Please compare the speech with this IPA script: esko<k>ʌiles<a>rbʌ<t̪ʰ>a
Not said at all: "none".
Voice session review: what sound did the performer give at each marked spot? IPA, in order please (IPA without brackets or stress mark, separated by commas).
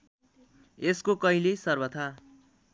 k, ʌ, t̪ʰ